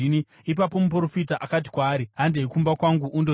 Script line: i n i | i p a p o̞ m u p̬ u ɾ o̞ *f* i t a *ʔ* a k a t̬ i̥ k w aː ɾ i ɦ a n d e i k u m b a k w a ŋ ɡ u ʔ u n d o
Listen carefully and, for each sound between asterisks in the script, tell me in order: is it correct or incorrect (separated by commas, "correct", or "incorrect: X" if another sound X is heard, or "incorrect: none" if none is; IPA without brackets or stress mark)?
correct, correct